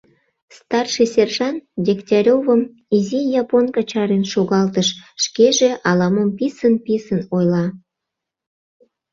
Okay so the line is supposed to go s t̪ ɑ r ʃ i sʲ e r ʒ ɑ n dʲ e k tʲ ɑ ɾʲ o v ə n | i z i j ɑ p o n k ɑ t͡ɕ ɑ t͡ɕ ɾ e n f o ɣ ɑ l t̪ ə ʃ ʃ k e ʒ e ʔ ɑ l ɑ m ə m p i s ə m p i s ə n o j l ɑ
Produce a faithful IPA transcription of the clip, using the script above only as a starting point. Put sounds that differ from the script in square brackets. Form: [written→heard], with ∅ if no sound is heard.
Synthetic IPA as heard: s t̪ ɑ r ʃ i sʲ e r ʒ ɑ n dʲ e k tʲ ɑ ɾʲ o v ə [n→m] | i z i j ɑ p o n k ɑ t͡ɕ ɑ [t͡ɕ→∅] ɾ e n [f→ʃ] o ɣ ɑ l t̪ ə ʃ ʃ k e ʒ e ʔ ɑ l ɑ m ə m p i s ə [m→n] p i s ə n o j l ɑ